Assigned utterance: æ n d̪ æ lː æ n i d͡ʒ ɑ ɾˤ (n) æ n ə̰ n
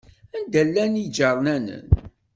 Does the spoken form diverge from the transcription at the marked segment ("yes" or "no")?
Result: no